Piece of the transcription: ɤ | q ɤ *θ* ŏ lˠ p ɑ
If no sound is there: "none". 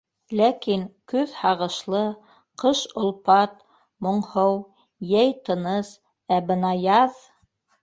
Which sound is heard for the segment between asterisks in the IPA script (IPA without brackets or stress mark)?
ʃ